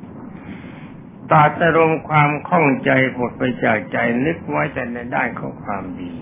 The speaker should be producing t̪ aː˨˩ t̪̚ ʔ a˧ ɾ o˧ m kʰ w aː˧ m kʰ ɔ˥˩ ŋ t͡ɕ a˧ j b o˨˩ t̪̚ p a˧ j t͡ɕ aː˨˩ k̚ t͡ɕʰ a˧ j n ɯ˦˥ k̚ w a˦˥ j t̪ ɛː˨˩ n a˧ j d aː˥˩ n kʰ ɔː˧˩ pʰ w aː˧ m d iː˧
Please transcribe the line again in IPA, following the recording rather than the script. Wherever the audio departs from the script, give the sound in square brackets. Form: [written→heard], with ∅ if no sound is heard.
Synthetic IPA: t̪ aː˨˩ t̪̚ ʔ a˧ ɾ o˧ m kʰ w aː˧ m kʰ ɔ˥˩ ŋ t͡ɕ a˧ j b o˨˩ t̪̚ p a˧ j t͡ɕ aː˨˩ k̚ [t͡ɕʰ→t͡ɕ] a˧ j n ɯ˦˥ k̚ w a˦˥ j t̪ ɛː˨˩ n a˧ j d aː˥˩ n kʰ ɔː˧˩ [pʰ→kʰ] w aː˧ m d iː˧